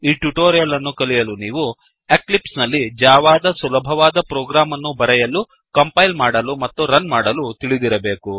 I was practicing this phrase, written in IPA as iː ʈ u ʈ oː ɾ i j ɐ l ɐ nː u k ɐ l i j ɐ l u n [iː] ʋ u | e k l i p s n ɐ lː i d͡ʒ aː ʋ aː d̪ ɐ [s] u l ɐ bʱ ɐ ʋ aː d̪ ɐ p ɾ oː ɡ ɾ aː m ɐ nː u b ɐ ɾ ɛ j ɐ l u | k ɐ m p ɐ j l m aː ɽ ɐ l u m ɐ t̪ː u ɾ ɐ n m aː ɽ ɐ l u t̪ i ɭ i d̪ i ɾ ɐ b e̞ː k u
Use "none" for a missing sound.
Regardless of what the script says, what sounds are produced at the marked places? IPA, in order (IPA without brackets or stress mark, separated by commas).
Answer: iː, s